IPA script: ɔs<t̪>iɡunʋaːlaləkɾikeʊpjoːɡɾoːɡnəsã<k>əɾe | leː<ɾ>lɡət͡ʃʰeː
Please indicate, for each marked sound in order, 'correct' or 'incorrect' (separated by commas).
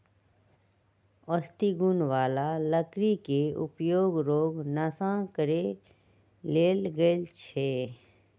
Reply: correct, correct, incorrect